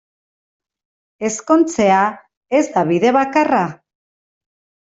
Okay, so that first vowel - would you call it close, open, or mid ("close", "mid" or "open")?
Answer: mid